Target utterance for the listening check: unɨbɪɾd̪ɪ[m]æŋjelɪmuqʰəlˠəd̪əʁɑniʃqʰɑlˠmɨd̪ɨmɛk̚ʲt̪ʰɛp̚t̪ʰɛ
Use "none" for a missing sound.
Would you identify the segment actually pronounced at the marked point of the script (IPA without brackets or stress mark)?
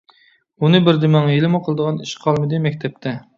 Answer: m